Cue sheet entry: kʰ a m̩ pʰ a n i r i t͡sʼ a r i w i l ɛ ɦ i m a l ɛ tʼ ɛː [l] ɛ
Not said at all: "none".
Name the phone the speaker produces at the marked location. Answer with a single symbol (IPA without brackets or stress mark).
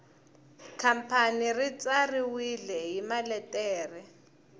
r